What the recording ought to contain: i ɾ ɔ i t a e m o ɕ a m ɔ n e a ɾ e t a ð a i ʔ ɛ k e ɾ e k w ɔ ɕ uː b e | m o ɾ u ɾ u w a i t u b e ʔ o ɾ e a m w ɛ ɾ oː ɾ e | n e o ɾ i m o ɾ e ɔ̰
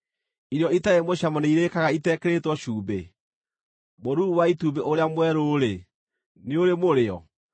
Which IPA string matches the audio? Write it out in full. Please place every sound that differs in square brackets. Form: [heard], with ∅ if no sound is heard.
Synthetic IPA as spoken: i ɾ ɔ i t a e m o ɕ a m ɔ n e [i] ɾ e [k] a [ɣ] a i [t] ɛ k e ɾ e [t] w ɔ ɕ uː b e | m o ɾ u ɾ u w a i t u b e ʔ o ɾ e a m w ɛ ɾ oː ɾ e | n e o ɾ [e] m o ɾ e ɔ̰